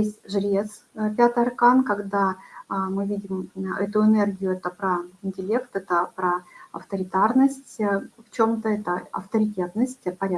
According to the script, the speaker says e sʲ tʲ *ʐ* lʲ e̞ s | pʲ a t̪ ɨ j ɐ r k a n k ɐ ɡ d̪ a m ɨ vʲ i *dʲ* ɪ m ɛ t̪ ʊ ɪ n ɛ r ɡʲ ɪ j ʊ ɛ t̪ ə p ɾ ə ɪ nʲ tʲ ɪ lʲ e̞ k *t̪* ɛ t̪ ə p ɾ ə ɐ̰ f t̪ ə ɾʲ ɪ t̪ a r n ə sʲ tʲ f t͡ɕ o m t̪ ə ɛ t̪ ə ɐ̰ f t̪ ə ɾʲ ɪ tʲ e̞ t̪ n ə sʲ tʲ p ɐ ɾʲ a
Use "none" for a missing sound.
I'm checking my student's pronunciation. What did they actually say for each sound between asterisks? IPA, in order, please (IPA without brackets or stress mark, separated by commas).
ʐ, dʲ, t̪